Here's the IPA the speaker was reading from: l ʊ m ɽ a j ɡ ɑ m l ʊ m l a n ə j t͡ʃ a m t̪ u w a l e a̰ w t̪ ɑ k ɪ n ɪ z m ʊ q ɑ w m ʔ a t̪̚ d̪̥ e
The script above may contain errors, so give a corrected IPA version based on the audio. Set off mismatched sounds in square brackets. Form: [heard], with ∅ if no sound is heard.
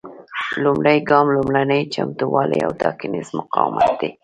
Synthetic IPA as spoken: l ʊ m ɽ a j ɡ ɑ m l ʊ m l a n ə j t͡ʃ a m t̪ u w [ɑ] l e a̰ w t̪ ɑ k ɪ n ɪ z m ʊ q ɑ w m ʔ a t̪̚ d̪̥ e